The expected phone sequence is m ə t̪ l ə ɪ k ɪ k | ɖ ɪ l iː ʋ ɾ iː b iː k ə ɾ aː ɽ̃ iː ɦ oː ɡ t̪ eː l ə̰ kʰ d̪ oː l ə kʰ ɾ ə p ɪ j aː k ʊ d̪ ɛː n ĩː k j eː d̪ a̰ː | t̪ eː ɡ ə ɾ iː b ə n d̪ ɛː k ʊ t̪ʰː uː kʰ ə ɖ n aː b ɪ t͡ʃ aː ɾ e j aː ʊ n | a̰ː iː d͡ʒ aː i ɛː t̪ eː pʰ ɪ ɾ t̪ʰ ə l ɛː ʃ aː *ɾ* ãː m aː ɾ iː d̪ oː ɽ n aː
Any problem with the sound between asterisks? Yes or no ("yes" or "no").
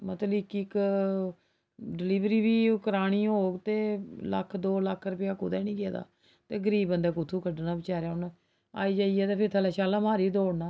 yes